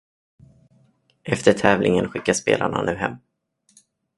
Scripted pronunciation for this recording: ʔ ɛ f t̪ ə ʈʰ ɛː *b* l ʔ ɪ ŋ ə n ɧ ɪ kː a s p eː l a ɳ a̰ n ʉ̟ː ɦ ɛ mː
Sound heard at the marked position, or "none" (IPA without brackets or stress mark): v